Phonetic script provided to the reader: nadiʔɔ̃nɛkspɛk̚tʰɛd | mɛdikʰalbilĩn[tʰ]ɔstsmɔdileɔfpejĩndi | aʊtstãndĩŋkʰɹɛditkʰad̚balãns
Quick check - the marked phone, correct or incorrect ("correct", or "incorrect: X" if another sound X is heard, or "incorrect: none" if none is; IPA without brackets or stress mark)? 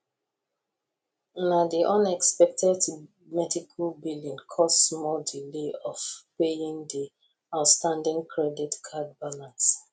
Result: incorrect: kʰ